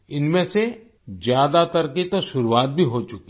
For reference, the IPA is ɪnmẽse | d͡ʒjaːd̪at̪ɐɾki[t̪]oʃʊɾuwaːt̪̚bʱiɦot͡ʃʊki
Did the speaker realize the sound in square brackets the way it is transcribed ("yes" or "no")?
yes